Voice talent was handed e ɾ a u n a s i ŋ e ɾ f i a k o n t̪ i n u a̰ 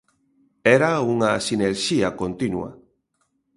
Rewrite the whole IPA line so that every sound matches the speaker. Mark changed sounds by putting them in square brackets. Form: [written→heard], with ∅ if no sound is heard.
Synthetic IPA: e ɾ a u [n→ŋ] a s i [ŋ→n] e ɾ [f→ʃ] i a k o n t̪ i n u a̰